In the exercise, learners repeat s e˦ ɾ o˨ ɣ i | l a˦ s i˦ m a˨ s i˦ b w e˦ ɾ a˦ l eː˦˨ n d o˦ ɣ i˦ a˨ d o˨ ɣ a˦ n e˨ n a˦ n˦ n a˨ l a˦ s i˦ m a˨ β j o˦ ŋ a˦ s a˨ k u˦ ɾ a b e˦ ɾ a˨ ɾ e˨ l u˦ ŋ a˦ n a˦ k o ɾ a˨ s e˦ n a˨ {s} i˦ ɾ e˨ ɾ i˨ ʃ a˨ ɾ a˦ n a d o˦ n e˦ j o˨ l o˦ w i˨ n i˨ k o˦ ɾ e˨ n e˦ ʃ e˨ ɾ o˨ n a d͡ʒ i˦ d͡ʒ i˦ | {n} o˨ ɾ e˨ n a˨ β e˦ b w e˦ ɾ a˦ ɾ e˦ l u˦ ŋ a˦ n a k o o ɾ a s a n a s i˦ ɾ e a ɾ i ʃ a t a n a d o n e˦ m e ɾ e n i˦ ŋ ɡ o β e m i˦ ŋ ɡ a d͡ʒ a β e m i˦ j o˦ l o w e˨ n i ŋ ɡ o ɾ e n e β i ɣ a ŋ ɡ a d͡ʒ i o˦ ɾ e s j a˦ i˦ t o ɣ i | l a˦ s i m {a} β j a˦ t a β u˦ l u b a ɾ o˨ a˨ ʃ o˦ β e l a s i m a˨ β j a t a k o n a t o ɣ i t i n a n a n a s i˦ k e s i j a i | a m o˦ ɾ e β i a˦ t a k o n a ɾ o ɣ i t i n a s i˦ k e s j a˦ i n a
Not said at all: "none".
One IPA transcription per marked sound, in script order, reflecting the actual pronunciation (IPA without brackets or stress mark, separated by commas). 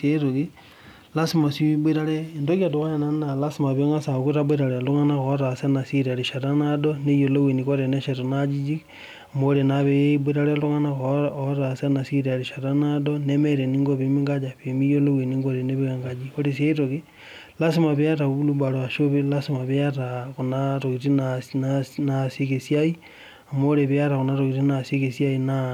s, m, a